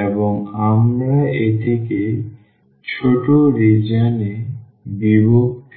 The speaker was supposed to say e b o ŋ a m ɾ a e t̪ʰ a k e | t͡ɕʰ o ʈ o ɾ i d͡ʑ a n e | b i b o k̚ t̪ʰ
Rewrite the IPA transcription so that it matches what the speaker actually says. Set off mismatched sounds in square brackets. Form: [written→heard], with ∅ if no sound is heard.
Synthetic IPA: e b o ŋ a m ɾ a e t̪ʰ [a→e] k e | t͡ɕʰ o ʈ o ɾ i d͡ʑ a n e | b i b o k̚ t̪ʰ